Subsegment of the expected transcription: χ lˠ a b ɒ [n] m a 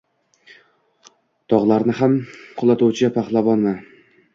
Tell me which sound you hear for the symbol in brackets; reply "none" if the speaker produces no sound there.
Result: n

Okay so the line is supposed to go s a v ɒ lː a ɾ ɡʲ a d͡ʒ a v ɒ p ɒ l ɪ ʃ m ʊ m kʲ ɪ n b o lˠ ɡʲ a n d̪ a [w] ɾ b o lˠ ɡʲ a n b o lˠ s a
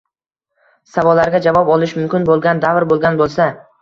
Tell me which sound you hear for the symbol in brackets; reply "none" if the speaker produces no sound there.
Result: v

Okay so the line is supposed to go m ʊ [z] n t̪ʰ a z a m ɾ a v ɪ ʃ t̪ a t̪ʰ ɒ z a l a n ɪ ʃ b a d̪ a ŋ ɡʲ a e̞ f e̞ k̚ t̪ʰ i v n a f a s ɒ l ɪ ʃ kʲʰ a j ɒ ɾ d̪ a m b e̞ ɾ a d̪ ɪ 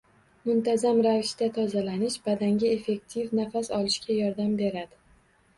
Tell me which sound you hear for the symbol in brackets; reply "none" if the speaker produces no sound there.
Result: none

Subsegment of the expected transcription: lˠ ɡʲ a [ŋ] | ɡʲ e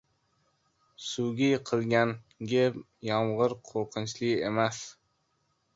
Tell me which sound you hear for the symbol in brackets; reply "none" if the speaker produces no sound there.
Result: n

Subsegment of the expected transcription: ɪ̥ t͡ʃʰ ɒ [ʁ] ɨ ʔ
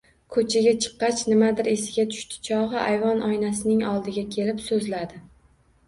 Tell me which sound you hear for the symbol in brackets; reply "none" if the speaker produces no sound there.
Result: ʁ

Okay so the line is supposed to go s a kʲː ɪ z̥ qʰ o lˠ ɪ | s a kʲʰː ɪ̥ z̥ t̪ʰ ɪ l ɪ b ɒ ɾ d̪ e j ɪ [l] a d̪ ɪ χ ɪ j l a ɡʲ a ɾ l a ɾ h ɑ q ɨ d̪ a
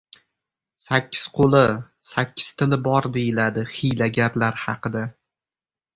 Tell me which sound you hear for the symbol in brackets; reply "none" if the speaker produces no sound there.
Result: l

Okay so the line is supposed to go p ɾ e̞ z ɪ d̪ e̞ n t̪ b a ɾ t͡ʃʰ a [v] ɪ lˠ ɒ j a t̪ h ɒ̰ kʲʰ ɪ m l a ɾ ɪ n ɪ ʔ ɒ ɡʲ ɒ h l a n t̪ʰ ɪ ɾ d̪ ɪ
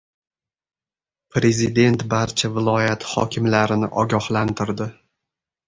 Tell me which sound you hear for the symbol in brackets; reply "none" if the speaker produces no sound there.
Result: v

